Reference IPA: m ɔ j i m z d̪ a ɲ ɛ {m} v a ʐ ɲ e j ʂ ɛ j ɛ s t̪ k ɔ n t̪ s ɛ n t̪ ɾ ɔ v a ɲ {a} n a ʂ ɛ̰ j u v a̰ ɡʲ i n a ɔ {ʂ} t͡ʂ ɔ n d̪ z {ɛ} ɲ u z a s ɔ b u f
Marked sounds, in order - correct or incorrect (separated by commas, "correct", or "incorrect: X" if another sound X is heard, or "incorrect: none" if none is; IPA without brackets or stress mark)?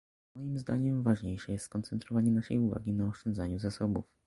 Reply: correct, incorrect: ɛ, correct, incorrect: a